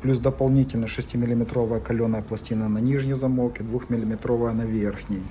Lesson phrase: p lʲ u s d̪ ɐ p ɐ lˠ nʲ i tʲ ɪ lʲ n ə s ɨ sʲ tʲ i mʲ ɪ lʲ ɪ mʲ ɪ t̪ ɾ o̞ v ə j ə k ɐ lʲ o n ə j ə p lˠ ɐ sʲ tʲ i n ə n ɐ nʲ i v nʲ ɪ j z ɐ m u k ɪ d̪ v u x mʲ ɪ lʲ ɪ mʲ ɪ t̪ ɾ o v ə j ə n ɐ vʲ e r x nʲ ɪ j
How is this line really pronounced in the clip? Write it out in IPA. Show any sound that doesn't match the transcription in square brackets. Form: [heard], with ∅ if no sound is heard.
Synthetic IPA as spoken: p lʲ u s d̪ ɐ p ɐ lˠ nʲ i tʲ ɪ lʲ n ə [ʂ] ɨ sʲ tʲ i mʲ ɪ lʲ ɪ mʲ ɪ t̪ ɾ o̞ v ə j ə k ɐ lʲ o n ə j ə p lˠ ɐ sʲ tʲ i n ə n ɐ nʲ i [ʐ] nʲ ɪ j z ɐ m [o] k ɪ d̪ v u x mʲ ɪ lʲ ɪ mʲ ɪ t̪ ɾ o v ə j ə n ɐ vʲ e r x nʲ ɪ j